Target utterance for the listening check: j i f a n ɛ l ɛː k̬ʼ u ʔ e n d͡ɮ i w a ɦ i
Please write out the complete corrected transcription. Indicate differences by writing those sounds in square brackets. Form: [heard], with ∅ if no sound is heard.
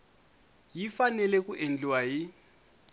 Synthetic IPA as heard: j i f a n ɛ l [ɛ] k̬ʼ u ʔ e n d͡ɮ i w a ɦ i

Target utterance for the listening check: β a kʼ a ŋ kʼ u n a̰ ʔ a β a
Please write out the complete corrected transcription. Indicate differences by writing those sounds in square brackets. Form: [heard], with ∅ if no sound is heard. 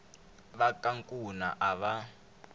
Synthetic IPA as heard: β a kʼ a ŋ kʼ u n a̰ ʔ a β a

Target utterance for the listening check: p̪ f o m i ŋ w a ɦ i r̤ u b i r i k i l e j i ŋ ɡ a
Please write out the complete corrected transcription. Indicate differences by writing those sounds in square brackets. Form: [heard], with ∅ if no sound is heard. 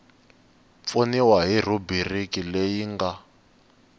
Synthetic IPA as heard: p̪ f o [n] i [∅] w a ɦ i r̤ u b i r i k i l e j i ŋ ɡ a

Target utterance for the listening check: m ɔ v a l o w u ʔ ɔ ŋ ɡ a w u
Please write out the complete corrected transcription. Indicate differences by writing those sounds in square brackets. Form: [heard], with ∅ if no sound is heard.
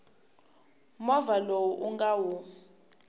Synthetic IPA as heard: m ɔ v a l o w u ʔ [u] ŋ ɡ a w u

